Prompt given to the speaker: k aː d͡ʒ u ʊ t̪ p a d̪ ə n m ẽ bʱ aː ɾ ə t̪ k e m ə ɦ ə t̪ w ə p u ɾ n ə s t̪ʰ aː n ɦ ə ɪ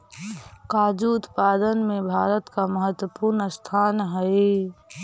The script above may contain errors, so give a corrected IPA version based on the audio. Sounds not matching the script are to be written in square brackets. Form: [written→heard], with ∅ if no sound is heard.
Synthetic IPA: k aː d͡ʒ u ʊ t̪ p a d̪ ə n m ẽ bʱ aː ɾ ə t̪ k [e→a] m ə ɦ ə t̪ w ə p u ɾ n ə s t̪ʰ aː n ɦ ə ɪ